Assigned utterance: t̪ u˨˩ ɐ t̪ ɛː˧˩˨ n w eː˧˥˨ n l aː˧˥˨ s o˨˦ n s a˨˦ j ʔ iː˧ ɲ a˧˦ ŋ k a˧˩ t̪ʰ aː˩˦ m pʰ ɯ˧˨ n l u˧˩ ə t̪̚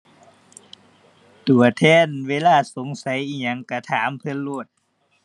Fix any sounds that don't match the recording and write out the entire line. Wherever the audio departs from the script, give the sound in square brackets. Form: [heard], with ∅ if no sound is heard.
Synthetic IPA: t̪ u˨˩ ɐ [t̪ʰ] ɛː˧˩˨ n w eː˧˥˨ [∅] l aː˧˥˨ s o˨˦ [ŋ] s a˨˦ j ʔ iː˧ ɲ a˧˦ ŋ k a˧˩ t̪ʰ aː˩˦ m pʰ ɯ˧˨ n l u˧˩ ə t̪̚